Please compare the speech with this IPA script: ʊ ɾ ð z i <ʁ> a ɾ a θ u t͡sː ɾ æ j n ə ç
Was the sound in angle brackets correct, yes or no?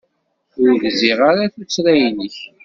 yes